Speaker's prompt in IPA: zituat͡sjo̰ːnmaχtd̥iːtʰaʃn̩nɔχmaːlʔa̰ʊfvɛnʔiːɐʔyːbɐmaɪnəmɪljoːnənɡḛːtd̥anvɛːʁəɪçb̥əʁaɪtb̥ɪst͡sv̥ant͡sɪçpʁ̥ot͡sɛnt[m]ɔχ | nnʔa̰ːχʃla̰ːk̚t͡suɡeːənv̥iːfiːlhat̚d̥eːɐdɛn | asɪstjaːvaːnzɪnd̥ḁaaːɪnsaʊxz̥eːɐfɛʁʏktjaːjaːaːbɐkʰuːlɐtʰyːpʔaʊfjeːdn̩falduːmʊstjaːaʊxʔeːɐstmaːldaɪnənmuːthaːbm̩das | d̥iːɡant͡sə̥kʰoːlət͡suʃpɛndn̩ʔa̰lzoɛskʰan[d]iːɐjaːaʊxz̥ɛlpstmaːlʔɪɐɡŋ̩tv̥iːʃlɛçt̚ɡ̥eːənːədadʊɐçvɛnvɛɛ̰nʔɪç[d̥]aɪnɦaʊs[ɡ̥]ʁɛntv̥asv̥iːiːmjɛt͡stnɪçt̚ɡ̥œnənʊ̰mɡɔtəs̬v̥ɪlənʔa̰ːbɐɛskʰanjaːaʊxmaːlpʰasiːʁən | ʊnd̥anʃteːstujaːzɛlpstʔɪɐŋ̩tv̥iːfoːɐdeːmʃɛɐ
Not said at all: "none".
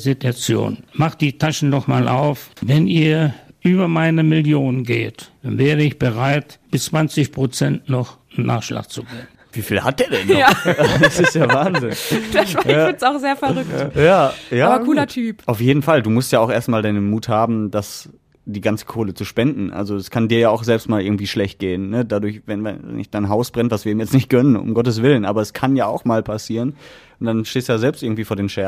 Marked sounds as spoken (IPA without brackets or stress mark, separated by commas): n, d, d̥, b̥